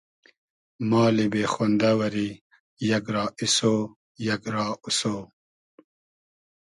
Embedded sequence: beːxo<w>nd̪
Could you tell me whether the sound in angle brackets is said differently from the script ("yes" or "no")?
yes